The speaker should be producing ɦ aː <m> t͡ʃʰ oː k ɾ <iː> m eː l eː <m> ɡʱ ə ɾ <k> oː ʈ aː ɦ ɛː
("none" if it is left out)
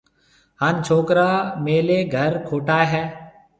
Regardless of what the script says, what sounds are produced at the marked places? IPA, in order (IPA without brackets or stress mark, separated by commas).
n, aː, none, kʰ